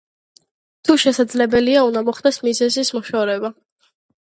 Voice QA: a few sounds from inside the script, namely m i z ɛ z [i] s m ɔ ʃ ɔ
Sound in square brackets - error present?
no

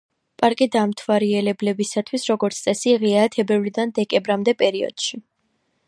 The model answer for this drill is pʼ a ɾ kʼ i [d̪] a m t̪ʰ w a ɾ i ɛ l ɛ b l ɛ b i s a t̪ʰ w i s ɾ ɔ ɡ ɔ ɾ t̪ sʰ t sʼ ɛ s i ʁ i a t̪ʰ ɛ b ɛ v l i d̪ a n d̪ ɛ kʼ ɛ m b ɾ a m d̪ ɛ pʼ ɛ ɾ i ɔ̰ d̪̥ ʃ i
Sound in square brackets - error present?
no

